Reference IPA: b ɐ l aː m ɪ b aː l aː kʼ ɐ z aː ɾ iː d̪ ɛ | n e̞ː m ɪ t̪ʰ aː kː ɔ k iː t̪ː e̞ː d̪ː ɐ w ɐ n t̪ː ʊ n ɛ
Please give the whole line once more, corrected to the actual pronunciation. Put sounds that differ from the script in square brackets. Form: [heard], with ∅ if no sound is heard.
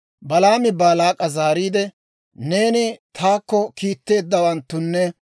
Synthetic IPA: b ɐ l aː m ɪ b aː l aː kʼ ɐ z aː ɾ iː d̪ ɛ | n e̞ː [n] ɪ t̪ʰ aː kː ɔ k iː t̪ː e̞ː d̪ː ɐ w ɐ n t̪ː ʊ [nː] ɛ